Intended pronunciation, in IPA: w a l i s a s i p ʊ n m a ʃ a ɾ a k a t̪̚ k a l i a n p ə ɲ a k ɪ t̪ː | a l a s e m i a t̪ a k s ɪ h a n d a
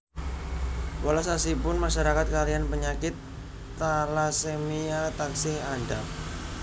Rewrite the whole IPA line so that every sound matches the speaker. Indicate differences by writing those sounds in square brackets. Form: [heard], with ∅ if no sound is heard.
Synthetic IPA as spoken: w a l [a] s a s i p ʊ n m a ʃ a ɾ a k a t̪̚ k a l i a n p ə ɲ a k ɪ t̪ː | a l a s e m i a t̪ a k s ɪ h a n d a